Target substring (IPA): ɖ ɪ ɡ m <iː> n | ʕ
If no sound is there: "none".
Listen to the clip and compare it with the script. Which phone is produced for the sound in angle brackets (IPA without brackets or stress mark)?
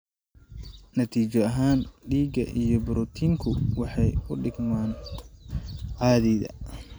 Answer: aː